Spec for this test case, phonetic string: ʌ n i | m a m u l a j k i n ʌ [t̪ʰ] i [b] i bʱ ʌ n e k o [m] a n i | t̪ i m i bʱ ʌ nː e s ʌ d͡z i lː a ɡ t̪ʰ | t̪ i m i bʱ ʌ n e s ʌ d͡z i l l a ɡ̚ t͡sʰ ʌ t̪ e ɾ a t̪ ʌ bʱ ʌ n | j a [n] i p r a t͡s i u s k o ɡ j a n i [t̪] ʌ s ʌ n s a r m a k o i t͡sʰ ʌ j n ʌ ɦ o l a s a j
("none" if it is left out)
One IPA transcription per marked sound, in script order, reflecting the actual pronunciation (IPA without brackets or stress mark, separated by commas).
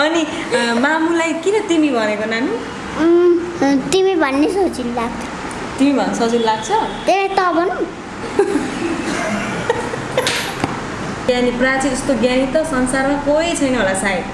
t̪, m, n, n, t̪